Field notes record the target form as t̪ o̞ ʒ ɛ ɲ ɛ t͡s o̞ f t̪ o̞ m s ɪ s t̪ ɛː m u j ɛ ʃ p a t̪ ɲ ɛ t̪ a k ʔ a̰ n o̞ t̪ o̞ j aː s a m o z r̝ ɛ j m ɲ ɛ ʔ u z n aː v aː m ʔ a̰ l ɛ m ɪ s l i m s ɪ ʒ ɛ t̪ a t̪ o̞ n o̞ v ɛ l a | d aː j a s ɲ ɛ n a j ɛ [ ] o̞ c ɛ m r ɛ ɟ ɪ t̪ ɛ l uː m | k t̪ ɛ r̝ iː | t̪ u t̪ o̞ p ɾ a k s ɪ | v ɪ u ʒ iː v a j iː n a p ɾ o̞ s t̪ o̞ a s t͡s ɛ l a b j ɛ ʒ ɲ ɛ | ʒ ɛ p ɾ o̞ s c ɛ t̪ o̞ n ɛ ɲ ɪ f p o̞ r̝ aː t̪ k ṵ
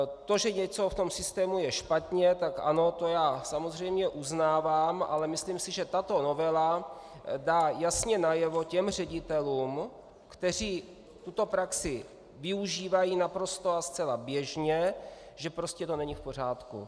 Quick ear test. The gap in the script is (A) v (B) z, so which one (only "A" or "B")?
A